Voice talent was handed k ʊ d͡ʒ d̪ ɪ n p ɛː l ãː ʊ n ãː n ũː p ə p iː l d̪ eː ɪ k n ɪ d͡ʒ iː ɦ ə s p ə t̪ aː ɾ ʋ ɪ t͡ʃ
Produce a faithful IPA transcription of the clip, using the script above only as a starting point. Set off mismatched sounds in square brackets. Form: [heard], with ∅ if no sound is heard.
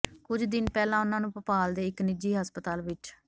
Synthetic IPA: k ʊ d͡ʒ d̪ ɪ n p ɛː l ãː ʊ n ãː n ũː p ə p [aː] l d̪ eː ɪ k n ɪ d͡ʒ iː ɦ ə s p ə t̪ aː [l] ʋ ɪ t͡ʃ